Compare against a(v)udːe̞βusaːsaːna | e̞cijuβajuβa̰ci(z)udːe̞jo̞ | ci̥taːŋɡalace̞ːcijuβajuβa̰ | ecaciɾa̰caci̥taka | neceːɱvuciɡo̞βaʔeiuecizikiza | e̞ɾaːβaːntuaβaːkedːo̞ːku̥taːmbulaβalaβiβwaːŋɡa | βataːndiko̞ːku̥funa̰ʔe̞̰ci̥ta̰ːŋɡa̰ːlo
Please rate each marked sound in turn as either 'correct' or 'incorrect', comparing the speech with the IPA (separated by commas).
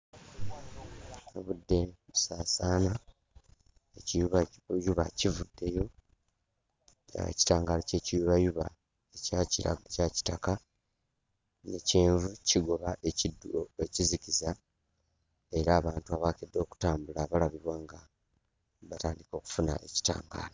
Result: incorrect, incorrect